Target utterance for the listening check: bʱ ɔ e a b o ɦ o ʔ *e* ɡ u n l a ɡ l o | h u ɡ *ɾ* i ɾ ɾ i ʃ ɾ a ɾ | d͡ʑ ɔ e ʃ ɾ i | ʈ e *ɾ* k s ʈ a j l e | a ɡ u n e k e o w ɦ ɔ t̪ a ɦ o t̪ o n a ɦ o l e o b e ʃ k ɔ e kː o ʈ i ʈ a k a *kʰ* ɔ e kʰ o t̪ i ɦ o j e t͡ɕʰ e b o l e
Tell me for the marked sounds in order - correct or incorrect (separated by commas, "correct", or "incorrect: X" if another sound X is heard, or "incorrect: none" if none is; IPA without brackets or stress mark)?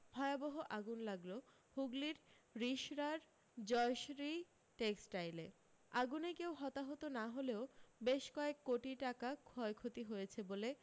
incorrect: a, incorrect: l, incorrect: none, correct